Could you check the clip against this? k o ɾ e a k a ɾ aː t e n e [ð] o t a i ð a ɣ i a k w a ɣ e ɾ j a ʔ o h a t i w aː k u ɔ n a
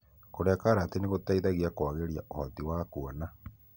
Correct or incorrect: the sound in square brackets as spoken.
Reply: incorrect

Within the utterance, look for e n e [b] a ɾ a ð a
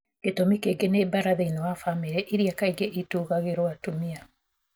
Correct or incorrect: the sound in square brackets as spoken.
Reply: correct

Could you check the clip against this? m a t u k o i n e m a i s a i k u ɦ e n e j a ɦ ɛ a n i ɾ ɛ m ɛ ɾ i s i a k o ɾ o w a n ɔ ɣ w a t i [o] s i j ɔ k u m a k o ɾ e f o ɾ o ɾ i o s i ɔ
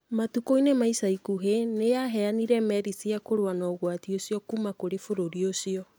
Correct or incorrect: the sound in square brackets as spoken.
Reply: correct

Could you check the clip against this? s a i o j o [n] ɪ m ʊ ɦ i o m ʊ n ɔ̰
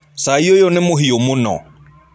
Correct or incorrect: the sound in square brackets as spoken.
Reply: correct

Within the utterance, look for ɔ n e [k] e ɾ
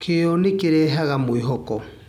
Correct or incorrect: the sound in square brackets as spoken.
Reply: correct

